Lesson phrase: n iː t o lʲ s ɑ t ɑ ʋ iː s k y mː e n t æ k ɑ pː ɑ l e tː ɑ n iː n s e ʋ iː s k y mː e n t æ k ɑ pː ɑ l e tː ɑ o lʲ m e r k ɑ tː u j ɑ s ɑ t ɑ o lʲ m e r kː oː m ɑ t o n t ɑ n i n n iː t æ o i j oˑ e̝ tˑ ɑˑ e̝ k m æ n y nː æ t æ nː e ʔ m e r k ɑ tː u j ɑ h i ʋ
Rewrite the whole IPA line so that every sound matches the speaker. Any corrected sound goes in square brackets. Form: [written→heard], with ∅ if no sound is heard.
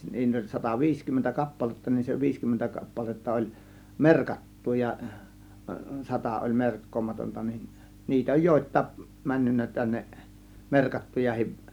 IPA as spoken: n iː t o lʲ s ɑ t ɑ ʋ iː s k y mː e n t æ k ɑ pː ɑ l e tː ɑ n [iː→i] n s e ʋ iː s k y mː e n t æ k ɑ pː ɑ l e tː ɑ o lʲ m e r k ɑ tː u j ɑ s ɑ t ɑ o lʲ m e r kː oː m ɑ t o n t ɑ n i n n iː t æ o [i→j] j oˑ e̝ tˑ ɑˑ e̝ k m æ [n→nː] y nː æ t æ nː e ʔ m e r k ɑ tː u j ɑ h i ʋ